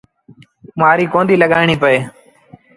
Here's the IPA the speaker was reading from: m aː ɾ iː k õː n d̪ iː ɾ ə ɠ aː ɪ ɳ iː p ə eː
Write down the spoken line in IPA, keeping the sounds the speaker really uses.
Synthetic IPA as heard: m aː ɾ iː k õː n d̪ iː l ə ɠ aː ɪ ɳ iː p ə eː